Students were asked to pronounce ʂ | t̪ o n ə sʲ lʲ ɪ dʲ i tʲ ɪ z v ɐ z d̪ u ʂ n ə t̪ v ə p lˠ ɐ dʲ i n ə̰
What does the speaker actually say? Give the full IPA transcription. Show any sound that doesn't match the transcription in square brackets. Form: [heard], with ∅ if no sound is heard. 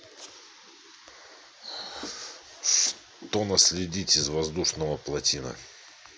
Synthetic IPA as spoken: ʂ | t̪ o n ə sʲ lʲ ɪ dʲ i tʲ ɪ z v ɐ z d̪ u ʂ n ə [∅] v ə p lˠ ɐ [tʲ] i n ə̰